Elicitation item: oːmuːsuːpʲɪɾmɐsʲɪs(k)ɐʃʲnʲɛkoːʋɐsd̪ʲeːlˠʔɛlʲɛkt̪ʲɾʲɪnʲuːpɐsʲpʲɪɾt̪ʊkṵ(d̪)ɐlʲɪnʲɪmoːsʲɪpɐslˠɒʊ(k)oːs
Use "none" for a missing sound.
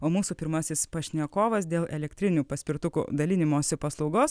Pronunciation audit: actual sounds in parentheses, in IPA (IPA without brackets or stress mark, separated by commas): p, d̪, ɡ